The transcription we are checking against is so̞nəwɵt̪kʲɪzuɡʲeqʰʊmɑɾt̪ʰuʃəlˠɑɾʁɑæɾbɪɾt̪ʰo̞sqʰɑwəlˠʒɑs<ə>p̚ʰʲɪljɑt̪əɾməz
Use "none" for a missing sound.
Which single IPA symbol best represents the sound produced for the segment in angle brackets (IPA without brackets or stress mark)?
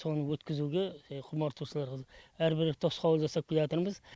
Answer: ɑ